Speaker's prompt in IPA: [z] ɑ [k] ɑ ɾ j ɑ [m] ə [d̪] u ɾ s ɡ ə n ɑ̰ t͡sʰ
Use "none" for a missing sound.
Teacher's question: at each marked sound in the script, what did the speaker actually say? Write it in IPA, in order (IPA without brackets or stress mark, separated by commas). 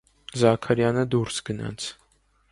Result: z, kʰ, n, d̪